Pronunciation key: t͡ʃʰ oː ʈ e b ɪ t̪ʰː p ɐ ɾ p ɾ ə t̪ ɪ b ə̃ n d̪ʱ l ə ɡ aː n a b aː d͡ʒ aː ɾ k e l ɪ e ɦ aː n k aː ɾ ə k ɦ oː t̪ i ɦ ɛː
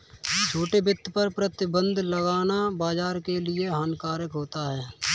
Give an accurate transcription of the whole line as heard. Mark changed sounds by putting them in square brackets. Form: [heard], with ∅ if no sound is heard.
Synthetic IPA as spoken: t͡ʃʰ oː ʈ e b ɪ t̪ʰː p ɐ ɾ p ɾ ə t̪ ɪ b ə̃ n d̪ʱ l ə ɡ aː n a b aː d͡ʒ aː ɾ k e l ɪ e ɦ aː n k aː ɾ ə k ɦ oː t̪ [a] ɦ ɛː